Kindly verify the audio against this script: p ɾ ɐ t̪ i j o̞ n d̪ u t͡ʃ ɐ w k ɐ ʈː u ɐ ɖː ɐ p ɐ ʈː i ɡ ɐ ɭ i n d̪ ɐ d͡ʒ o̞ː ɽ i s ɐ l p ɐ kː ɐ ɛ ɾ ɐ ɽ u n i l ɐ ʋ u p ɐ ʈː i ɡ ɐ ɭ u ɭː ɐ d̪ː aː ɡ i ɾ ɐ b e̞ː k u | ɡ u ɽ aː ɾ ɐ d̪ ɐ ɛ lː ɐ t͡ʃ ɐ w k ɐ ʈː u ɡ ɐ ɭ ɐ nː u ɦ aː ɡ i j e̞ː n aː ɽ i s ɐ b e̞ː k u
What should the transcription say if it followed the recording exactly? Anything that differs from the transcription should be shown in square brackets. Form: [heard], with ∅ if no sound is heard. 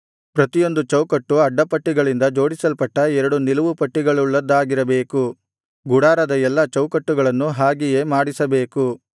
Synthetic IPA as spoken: p ɾ ɐ t̪ i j o̞ n d̪ u t͡ʃ ɐ w k ɐ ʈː u ɐ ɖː ɐ p ɐ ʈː i ɡ ɐ ɭ i n d̪ ɐ d͡ʒ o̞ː ɽ i s ɐ l p ɐ [ʈː] ɐ ɛ ɾ ɐ ɽ u n i l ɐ ʋ u p ɐ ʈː i ɡ ɐ ɭ u ɭː ɐ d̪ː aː ɡ i ɾ ɐ b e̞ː k u | ɡ u ɽ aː ɾ ɐ d̪ ɐ ɛ lː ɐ t͡ʃ ɐ w k ɐ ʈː u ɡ ɐ ɭ ɐ nː u ɦ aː ɡ i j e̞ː [m] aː ɽ i s ɐ b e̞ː k u